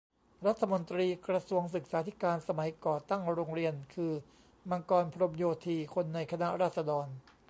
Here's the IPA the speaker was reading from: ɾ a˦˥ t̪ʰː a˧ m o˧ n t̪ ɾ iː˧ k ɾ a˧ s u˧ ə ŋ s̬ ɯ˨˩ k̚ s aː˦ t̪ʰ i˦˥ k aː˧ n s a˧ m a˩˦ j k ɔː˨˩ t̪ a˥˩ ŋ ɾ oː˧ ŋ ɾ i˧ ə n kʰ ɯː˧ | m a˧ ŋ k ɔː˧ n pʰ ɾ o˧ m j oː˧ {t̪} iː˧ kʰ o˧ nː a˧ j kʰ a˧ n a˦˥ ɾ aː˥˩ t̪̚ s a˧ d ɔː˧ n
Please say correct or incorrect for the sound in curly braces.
incorrect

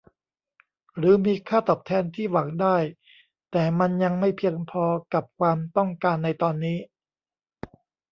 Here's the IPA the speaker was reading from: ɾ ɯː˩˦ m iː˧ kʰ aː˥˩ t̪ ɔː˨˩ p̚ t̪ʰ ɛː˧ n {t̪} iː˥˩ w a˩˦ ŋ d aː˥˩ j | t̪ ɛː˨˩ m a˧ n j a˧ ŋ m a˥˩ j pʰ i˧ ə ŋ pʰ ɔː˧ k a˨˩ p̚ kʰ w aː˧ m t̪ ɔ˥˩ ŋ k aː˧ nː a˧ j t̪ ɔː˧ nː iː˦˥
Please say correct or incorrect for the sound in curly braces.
incorrect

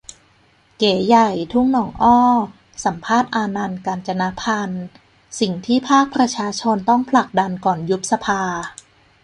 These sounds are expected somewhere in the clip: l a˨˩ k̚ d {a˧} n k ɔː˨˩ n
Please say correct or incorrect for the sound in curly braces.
correct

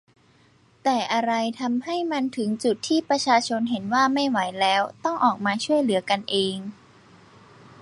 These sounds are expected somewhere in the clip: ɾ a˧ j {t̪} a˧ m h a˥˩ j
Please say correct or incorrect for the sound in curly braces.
incorrect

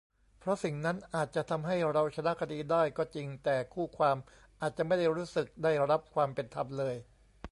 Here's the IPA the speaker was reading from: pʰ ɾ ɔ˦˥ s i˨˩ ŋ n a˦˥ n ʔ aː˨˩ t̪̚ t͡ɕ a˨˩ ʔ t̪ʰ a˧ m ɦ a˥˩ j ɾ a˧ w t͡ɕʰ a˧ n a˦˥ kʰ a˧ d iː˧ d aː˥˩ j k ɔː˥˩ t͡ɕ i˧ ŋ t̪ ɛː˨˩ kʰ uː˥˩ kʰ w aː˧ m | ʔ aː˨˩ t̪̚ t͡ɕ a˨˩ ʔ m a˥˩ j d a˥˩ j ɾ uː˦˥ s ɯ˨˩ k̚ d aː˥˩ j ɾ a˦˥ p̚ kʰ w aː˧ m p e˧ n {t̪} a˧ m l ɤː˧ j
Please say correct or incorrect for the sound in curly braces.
incorrect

